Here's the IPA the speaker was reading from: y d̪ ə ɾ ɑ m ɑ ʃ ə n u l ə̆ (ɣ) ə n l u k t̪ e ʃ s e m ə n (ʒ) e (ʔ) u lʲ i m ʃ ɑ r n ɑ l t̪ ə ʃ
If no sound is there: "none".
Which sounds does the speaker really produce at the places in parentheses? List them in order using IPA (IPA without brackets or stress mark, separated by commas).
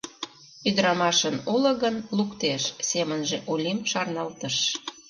ɣ, ʒ, ʔ